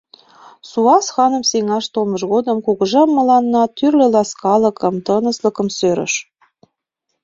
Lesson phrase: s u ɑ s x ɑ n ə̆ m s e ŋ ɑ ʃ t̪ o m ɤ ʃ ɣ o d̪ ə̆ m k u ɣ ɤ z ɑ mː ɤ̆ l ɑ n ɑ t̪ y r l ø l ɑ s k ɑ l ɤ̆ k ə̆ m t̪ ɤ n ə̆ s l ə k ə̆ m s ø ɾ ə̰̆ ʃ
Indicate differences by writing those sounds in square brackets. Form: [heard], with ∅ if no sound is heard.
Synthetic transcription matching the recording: s u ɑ s x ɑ n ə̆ m s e ŋ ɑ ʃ t̪ o m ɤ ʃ ɣ o d̪ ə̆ m k u ɣ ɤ [ʒ] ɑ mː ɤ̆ l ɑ [nː] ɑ t̪ y r l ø l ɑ s k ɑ l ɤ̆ k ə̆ m t̪ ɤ n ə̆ s l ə k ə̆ m s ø ɾ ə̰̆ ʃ